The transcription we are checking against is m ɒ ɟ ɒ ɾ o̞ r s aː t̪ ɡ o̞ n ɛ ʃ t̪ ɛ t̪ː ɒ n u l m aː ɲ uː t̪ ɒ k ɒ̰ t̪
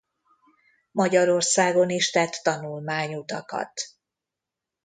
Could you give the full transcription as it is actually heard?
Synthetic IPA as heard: m ɒ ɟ ɒ ɾ o̞ r s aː ɡ o̞ n i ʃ t̪ ɛ t̪ː ɒ n u l m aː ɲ u t̪ ɒ k ɒ̰ t̪

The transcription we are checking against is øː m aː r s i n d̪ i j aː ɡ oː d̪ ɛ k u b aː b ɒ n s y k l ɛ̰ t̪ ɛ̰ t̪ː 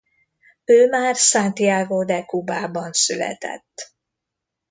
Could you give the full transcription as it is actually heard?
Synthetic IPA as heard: øː m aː r s a n t̪ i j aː ɡ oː d̪ ɛ k u b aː b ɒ n s y l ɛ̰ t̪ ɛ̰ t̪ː

